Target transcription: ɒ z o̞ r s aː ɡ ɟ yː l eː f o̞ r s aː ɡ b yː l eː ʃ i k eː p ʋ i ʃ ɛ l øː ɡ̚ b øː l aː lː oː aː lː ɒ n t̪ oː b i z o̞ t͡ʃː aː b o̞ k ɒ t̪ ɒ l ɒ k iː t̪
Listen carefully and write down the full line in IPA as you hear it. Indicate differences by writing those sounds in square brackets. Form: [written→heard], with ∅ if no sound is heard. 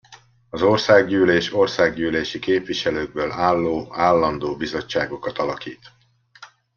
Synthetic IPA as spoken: ɒ z o̞ r s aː ɡ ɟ yː l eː [f→ʃ] o̞ r s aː ɡ [b→ɟ] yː l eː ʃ i k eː p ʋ i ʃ ɛ l øː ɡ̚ b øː l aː lː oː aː lː ɒ n [t̪→d̪] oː b i z o̞ t͡ʃː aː [b→ɡ] o̞ k ɒ t̪ ɒ l ɒ k iː t̪